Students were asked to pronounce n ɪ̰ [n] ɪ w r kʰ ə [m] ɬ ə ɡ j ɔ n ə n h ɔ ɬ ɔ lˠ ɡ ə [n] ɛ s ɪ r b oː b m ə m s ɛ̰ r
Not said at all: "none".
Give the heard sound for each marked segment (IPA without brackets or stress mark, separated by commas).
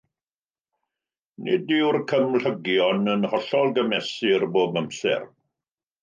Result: d, m, m